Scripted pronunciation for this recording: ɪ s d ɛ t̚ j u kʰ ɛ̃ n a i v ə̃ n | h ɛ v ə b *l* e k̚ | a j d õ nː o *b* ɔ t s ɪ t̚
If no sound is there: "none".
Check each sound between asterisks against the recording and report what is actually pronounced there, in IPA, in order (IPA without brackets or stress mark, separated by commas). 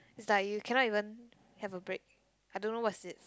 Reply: ɹ, w